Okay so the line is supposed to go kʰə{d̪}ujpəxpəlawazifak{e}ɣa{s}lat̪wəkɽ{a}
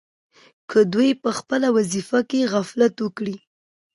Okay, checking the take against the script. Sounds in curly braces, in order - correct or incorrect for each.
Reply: correct, correct, incorrect, incorrect

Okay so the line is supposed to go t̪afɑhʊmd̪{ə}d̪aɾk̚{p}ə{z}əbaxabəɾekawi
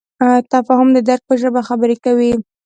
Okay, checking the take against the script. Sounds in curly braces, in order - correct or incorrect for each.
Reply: correct, correct, incorrect

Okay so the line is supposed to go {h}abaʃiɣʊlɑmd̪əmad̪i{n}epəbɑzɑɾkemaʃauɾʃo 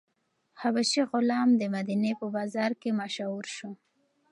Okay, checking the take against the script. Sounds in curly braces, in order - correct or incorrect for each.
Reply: correct, correct

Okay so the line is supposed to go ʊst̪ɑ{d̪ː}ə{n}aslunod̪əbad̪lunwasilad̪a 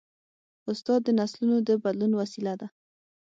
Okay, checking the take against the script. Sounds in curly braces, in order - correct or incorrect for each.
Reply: correct, correct

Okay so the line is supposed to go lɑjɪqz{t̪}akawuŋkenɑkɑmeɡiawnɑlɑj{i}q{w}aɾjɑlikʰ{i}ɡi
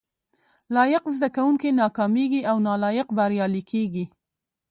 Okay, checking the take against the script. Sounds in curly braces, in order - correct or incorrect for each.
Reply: incorrect, incorrect, incorrect, incorrect

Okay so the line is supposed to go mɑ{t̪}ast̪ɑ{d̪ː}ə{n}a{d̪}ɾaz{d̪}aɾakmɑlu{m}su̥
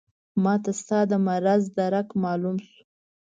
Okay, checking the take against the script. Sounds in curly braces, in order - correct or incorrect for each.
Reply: correct, incorrect, incorrect, incorrect, correct, correct

